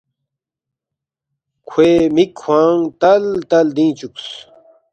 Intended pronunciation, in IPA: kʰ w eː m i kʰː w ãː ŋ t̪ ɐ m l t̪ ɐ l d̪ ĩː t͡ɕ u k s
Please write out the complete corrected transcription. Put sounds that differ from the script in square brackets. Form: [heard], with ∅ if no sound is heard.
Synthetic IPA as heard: kʰ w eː m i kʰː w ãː ŋ t̪ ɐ [∅] l t̪ ɐ l d̪ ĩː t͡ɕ u k s